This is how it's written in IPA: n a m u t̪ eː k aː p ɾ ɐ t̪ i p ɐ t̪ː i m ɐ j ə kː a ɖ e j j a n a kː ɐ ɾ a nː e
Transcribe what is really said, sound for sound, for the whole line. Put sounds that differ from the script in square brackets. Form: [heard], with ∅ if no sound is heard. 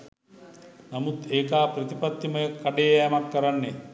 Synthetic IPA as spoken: n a m u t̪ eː k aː p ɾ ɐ t̪ i p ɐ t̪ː i m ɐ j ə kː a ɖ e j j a [m] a kː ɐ ɾ a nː e